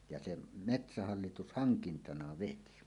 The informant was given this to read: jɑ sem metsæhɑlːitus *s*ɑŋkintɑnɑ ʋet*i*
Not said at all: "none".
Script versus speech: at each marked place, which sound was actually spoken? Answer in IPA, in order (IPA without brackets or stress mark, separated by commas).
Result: h, i